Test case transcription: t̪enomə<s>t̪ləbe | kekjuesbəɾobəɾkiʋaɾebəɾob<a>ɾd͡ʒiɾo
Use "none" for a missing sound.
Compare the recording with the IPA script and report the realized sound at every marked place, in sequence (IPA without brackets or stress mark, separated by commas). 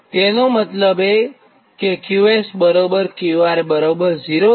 none, ə